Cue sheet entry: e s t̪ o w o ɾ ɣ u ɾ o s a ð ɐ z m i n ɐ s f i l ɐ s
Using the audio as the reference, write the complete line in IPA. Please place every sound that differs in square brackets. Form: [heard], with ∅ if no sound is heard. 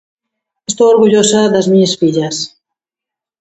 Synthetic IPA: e s t̪ o w o ɾ ɣ u [ʎ] o s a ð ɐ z m i [ɲ] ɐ s f i [ʎ] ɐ s